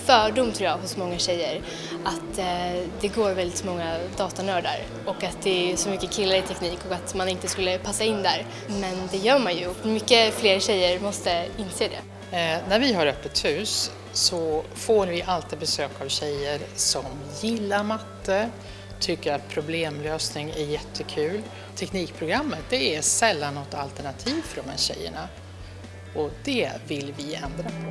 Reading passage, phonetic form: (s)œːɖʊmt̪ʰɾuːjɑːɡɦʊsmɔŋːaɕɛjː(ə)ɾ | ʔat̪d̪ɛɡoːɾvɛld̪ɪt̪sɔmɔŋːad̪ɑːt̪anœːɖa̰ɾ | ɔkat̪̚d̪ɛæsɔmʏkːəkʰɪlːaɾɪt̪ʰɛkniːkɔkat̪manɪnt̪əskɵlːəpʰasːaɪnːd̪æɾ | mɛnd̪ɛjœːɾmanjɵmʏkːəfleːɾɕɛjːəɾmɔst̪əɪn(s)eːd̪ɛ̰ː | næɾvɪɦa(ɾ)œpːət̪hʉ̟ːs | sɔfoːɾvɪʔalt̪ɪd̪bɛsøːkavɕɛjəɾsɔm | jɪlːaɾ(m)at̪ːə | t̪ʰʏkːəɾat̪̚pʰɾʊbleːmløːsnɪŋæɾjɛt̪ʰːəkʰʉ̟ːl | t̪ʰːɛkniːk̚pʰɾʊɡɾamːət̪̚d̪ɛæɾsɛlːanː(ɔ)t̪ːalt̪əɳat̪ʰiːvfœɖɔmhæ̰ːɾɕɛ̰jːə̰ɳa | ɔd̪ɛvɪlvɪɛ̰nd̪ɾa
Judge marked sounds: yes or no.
no, yes, yes, yes, yes, yes

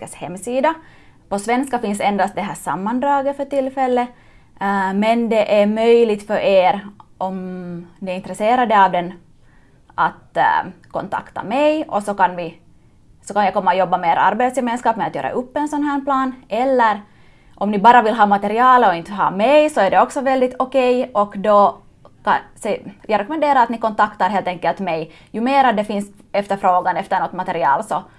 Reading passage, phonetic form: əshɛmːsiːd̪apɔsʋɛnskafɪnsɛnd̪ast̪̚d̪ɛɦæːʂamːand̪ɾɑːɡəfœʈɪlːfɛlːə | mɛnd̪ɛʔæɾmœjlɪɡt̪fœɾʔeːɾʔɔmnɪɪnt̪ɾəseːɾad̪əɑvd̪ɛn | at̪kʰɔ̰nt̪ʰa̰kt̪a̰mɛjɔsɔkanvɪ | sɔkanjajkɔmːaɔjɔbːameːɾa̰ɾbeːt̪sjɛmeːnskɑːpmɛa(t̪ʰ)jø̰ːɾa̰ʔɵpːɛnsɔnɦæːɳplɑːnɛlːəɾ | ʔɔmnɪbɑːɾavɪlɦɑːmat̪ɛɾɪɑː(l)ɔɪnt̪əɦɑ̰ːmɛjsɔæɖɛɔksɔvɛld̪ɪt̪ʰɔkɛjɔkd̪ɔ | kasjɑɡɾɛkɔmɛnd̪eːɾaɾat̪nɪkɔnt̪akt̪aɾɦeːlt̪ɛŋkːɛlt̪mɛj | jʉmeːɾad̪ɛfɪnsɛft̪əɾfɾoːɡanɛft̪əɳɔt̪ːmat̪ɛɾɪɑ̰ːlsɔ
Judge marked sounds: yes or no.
no, yes

